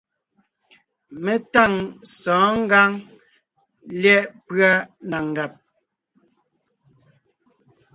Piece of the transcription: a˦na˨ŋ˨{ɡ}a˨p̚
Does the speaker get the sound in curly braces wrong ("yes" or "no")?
no